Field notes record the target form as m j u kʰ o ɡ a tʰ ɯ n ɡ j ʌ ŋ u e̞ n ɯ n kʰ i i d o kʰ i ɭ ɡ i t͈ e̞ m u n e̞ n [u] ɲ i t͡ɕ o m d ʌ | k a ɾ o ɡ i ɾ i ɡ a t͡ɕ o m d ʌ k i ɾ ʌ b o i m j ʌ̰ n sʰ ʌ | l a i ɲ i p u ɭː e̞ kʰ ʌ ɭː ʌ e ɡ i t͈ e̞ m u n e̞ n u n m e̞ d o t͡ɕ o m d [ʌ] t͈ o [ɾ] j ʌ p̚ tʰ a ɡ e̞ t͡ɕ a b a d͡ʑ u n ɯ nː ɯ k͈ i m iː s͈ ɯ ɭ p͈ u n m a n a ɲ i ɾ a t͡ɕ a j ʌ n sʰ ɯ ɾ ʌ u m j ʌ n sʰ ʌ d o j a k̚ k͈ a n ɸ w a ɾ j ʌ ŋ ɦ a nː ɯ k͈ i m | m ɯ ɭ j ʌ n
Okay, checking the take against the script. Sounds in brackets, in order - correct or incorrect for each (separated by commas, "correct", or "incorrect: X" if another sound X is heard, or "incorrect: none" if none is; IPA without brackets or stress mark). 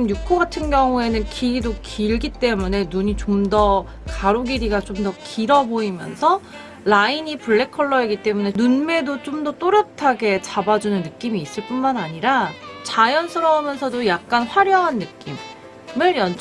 correct, correct, correct